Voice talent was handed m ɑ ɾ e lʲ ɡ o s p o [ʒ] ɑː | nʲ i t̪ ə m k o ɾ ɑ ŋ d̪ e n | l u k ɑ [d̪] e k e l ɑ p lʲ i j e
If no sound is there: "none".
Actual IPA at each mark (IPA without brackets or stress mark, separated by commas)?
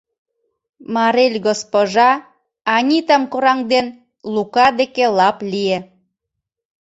ʒ, d̪